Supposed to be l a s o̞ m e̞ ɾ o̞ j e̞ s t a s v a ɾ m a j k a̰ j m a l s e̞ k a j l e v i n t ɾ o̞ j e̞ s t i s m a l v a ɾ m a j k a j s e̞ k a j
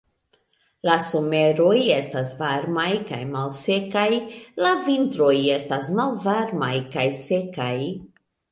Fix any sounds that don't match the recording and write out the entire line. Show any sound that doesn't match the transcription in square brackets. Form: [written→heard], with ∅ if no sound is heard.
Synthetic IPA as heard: l a s o̞ m e̞ ɾ o̞ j e̞ s t a s v a ɾ m a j k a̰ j m a l s e̞ k a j l [e→a] v i n t ɾ o̞ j e̞ s t [i→a] s m a l v a ɾ m a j k a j s e̞ k a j